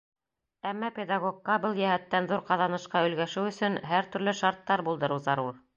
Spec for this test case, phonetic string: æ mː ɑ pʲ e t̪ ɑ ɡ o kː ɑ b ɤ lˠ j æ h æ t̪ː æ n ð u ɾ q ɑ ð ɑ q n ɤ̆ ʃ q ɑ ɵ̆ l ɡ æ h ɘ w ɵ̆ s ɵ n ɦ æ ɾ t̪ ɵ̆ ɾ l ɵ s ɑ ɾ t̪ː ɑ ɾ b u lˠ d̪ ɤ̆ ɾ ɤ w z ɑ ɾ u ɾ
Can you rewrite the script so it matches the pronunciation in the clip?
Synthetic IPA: æ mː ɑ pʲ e d̪ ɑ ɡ o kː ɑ b ɤ lˠ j æ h æ t̪ː æ n ð u ɾ q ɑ ð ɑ n ɤ̆ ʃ q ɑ ɵ̆ l ɡ æ ʃ ɘ w ɵ̆ s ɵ n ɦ æ ɾ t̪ ɵ̆ ɾ l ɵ ʃ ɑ ɾ t̪ː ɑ ɾ b u lˠ d̪ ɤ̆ ɾ ɤ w z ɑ ɾ u ɾ

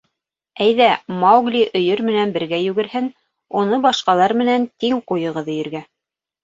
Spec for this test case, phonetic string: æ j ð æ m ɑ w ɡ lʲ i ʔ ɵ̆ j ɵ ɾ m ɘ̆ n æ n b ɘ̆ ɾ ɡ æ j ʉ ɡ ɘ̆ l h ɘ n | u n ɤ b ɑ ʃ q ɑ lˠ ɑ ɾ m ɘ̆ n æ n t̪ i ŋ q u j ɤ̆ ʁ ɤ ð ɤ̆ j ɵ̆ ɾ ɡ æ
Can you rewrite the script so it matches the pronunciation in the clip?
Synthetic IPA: æ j ð æ m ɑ w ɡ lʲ i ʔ ɵ̆ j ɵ ɾ m ɘ̆ n æ n b ɘ̆ ɾ ɡ æ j ʉ ɡ ɘ̆ ɾ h ɘ n | u n ɤ b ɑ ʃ q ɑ lˠ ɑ ɾ m ɘ̆ n æ n t̪ i ŋ q u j ɤ̆ ʁ ɤ ð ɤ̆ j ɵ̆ ɾ ɡ æ

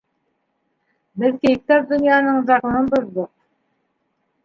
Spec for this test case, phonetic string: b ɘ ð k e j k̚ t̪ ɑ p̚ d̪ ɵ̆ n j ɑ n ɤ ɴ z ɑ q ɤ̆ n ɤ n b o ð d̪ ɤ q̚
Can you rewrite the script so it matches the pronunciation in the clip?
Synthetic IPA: b ɘ ð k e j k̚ t̪ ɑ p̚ d̪ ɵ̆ n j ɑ n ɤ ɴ z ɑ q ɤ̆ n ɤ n b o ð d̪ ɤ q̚

